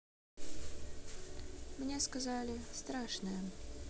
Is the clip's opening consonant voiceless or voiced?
voiced